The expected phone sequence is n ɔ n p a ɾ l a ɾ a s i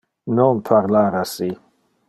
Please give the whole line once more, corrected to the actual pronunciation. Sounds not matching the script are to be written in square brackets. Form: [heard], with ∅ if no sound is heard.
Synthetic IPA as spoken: n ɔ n [pʰ] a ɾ l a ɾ a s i